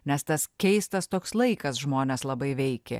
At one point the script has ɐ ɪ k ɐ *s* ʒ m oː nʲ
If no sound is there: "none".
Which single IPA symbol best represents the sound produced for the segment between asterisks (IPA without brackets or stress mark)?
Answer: s